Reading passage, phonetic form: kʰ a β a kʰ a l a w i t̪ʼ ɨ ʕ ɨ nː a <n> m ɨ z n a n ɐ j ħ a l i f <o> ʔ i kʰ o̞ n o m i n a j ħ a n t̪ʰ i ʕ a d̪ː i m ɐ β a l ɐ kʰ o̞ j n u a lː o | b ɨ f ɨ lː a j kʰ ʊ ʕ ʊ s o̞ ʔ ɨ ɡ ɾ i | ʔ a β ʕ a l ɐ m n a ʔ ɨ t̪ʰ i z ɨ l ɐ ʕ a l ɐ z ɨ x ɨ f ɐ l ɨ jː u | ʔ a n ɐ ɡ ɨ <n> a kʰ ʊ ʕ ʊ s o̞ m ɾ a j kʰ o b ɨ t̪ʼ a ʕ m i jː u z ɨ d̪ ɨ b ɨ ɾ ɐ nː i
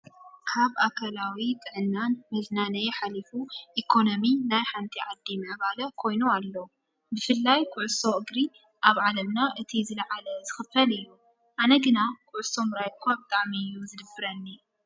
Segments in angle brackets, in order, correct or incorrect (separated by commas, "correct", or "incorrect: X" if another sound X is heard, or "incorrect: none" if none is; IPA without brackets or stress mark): correct, incorrect: u, correct